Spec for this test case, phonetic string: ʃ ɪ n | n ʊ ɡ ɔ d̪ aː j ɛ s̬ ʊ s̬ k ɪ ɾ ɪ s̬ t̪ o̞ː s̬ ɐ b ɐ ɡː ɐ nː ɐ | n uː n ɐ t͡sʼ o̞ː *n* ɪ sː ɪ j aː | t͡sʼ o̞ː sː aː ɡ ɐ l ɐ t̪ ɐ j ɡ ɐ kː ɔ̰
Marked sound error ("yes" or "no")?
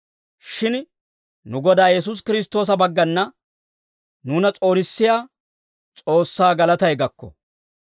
no